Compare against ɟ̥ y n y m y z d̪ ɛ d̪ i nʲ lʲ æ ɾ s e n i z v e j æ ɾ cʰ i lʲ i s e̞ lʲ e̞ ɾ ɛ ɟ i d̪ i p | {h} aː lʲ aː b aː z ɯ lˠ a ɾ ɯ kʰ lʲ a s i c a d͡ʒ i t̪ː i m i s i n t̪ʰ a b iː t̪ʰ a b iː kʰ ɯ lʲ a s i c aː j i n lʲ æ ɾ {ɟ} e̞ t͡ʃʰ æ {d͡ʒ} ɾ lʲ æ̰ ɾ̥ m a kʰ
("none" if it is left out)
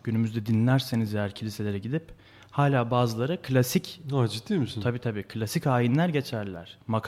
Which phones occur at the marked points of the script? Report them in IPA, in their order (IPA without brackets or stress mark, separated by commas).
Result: h, ɟ, none